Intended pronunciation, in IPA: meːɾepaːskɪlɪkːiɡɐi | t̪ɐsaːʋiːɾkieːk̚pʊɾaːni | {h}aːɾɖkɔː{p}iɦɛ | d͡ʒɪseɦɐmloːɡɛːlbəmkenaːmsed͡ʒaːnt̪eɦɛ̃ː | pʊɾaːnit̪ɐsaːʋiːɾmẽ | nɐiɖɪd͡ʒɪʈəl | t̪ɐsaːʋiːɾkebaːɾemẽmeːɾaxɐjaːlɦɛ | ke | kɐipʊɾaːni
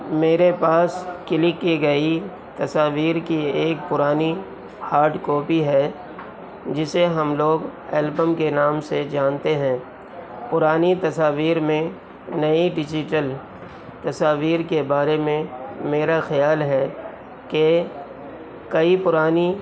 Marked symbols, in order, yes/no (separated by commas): yes, yes